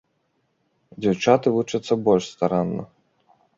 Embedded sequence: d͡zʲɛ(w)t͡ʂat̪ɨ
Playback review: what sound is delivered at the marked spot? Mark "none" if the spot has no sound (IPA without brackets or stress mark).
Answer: w